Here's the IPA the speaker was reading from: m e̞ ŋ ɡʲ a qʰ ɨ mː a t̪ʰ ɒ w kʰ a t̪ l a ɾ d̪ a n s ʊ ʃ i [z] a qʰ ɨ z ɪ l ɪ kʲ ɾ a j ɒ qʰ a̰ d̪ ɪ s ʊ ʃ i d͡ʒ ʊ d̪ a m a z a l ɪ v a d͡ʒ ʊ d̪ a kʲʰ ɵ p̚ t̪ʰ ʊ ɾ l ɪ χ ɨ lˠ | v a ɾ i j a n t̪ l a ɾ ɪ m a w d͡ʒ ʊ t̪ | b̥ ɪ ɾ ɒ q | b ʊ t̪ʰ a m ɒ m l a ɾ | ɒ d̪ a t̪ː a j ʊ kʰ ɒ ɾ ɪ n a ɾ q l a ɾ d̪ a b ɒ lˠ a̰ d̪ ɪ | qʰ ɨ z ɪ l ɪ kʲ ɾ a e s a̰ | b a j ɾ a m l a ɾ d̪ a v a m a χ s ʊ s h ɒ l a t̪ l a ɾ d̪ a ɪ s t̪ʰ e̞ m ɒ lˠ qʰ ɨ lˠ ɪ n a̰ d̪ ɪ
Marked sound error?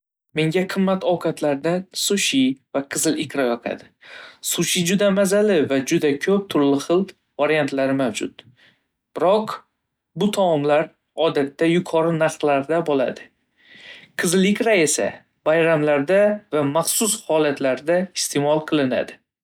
yes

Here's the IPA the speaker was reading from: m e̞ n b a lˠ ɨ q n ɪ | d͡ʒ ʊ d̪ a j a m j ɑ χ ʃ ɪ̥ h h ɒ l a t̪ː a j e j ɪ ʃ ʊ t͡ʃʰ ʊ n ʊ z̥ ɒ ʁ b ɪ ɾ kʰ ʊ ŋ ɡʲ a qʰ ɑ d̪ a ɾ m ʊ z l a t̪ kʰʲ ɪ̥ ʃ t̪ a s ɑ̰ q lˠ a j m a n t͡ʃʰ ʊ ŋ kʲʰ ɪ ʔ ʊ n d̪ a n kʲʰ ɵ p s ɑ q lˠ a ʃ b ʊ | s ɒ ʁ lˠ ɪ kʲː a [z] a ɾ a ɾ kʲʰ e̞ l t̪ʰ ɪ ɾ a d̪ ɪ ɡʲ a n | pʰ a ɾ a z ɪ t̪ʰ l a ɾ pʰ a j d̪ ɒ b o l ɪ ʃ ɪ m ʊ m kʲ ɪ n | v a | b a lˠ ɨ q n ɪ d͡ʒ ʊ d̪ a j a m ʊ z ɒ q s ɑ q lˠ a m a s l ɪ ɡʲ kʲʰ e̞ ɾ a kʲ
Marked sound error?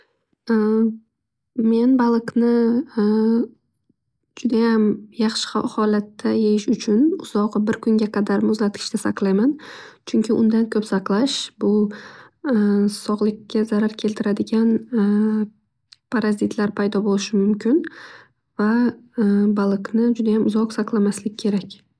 no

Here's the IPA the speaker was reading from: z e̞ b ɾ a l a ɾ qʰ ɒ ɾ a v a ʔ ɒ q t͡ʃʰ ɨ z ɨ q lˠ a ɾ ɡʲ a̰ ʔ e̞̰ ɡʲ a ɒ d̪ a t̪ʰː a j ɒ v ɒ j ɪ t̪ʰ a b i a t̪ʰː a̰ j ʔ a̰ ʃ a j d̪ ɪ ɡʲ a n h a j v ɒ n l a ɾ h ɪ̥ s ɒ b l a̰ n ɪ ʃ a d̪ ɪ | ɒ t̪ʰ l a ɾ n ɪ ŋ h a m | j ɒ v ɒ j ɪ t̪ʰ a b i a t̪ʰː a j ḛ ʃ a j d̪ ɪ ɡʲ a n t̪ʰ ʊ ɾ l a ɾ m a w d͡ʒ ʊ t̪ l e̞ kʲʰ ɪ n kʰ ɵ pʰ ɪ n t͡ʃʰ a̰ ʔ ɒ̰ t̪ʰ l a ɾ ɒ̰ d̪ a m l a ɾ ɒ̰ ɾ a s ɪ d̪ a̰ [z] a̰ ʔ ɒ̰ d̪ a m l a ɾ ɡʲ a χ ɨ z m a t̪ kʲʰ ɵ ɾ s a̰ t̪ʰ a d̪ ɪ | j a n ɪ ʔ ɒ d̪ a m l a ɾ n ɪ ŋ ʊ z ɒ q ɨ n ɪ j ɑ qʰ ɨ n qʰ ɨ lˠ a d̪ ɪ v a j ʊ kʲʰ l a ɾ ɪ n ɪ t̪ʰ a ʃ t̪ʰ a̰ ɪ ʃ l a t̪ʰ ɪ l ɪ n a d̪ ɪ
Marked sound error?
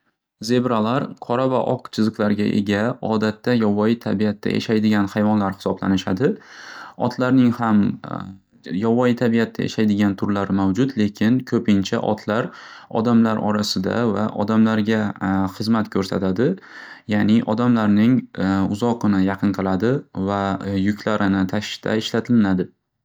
yes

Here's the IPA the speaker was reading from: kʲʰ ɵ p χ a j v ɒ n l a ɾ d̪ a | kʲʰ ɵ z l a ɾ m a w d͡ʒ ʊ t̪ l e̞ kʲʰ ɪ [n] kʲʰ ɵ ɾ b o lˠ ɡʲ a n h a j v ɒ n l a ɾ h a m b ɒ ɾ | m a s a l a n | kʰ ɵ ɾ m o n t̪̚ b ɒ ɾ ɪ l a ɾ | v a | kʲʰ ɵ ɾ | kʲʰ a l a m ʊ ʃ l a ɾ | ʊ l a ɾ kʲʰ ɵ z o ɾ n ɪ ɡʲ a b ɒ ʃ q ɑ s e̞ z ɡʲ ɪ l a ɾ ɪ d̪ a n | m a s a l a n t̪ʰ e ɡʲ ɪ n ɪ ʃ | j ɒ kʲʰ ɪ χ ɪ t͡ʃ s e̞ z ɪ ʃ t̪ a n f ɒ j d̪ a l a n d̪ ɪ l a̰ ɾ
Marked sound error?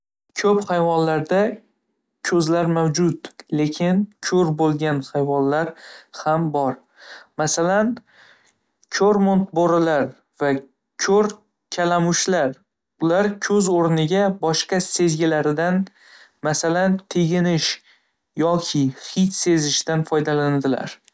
no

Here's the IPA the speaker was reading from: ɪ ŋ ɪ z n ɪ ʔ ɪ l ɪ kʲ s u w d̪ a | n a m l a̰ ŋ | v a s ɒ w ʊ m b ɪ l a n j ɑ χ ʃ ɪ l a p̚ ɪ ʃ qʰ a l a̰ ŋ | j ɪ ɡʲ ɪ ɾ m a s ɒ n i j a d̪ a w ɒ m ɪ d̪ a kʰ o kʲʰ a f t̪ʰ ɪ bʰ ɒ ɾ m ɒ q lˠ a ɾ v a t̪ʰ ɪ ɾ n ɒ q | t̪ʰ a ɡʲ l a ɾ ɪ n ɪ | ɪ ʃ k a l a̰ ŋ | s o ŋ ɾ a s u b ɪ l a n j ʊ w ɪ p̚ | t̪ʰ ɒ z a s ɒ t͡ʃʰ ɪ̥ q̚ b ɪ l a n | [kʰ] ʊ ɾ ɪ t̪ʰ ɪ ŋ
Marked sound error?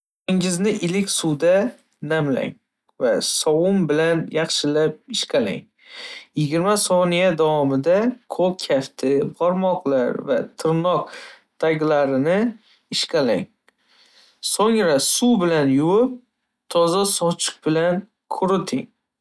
no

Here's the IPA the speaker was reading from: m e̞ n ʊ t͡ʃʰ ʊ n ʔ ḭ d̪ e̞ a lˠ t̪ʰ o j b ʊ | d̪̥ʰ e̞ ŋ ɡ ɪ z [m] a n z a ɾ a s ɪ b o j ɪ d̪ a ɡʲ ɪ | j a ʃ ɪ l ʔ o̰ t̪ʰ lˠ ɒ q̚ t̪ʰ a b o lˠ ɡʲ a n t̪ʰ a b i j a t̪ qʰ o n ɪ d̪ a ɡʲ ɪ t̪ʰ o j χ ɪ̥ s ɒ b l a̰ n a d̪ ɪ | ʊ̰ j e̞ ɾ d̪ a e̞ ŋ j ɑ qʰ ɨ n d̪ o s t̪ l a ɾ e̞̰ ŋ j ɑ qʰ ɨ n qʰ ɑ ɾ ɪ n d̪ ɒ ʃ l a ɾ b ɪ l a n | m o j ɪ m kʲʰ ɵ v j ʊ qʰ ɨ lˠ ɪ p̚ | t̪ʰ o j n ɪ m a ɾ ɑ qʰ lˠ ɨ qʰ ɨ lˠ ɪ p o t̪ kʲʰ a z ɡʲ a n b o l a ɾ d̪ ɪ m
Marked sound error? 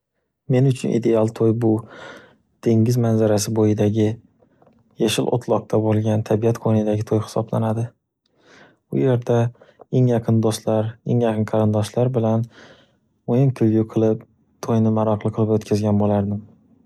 no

